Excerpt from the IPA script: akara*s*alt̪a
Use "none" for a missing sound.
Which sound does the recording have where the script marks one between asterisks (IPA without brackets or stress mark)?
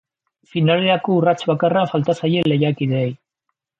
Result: f